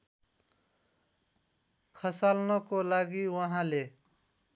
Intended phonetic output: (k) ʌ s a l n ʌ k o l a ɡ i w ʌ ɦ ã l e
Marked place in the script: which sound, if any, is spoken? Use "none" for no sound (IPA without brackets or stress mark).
kʰ